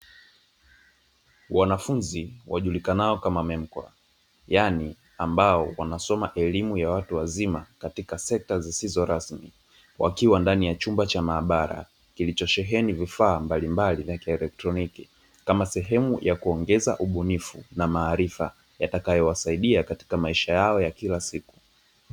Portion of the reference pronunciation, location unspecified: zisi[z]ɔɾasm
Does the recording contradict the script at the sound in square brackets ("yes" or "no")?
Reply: no